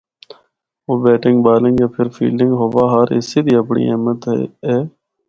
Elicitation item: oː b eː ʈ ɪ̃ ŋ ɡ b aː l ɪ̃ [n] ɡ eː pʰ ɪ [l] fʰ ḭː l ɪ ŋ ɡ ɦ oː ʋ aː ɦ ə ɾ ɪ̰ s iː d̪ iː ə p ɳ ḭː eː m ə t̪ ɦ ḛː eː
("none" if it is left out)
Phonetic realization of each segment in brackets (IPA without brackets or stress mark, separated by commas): ŋ, ɾ